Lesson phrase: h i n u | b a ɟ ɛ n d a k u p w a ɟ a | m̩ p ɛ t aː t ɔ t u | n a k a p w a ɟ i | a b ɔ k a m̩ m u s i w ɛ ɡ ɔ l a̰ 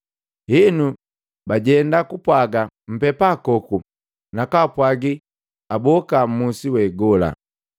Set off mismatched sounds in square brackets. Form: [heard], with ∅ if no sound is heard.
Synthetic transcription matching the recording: h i n u | b a ɟ ɛ n d a k u p w a [ɡ] a | m̩ p ɛ [p] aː [k] ɔ [k] u | n a k a p w a [ɡ] i | a b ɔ k a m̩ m u s i w ɛ ɡ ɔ l a̰